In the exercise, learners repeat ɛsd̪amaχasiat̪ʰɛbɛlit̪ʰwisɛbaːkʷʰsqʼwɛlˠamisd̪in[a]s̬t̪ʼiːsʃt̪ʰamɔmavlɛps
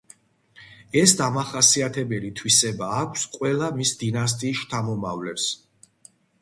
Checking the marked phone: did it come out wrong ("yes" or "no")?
no